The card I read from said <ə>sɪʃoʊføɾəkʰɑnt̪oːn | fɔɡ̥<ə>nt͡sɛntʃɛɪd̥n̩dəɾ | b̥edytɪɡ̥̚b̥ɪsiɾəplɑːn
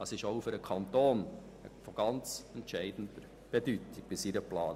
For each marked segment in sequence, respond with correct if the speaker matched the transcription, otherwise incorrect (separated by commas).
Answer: incorrect, incorrect